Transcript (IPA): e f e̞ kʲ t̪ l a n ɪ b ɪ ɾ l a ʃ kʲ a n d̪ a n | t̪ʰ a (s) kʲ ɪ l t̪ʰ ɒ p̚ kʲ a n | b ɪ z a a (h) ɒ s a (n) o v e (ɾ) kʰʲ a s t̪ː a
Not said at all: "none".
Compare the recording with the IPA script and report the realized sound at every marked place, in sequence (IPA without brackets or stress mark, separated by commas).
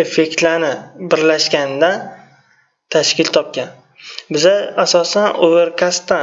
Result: ʃ, s, n, ɾ